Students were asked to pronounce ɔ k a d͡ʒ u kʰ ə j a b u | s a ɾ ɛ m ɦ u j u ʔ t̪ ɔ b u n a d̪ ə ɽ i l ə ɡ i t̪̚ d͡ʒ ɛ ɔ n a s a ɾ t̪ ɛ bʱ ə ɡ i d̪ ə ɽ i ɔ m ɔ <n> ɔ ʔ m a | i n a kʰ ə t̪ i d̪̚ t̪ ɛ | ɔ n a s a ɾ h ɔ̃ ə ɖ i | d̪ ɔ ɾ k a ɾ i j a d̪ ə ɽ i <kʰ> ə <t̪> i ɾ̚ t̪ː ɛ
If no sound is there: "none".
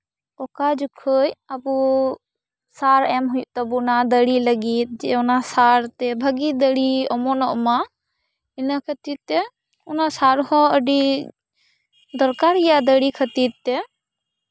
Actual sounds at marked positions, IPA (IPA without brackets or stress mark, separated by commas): n, kʰ, t̪